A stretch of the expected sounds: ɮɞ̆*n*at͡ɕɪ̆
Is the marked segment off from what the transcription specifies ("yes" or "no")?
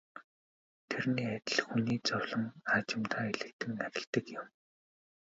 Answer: yes